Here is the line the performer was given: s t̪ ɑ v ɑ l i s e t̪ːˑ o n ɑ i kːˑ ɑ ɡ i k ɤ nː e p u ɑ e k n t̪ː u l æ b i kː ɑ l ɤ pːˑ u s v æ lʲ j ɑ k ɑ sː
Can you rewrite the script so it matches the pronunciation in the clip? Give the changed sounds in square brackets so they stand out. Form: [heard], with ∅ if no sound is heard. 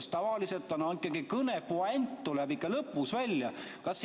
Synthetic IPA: s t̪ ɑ v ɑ l i s e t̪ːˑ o n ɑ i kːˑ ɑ ɡ i k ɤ [n] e p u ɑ e [∅] n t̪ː u l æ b i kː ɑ l ɤ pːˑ u s v æ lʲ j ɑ k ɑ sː